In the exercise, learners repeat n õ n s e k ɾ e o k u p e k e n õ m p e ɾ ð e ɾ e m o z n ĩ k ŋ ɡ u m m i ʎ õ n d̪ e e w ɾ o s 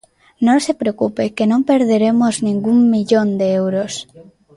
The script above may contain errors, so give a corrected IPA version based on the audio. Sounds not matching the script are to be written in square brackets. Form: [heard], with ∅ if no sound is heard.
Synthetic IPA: n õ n s e [p] ɾ e o k u p e k e n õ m p e ɾ ð e ɾ e m o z n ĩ [∅] ŋ ɡ u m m i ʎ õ n d̪ e e w ɾ o s